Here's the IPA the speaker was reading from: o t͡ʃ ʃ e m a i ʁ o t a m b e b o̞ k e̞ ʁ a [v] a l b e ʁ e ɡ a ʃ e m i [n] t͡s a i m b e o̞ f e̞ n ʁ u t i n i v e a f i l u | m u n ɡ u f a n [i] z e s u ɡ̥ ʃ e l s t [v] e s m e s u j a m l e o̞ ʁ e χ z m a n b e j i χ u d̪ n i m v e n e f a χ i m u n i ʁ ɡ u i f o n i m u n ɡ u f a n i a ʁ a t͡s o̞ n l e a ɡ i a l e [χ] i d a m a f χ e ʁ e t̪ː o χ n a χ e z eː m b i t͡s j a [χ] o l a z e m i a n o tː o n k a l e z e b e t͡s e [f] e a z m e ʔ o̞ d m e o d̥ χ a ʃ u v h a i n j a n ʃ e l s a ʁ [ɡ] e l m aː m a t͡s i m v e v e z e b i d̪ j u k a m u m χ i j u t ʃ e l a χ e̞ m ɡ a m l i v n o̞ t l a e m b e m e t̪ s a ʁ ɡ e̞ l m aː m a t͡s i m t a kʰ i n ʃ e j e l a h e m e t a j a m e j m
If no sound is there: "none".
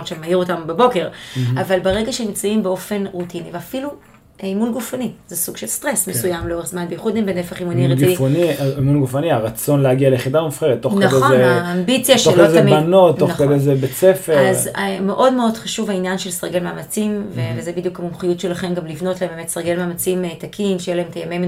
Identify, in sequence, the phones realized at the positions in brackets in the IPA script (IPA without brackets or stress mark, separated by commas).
v, m, i, ʁ, χ, ʃ, f, ɡ